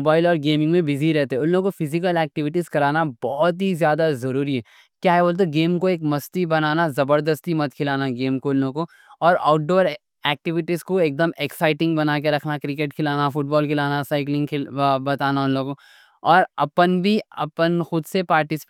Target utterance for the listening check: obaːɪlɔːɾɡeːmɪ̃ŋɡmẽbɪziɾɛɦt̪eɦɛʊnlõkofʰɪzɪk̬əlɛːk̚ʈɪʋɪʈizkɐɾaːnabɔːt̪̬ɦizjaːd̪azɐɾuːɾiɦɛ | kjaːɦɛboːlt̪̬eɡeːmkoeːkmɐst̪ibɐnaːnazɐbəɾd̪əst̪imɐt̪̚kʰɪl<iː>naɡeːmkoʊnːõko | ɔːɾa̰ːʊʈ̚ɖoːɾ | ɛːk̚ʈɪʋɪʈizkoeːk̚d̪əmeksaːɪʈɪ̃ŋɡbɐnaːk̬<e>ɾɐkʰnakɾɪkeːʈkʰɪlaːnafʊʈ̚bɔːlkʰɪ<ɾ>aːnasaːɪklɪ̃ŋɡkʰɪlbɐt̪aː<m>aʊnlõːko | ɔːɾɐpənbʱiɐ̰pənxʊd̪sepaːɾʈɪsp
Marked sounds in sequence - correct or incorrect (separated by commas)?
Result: incorrect, correct, incorrect, incorrect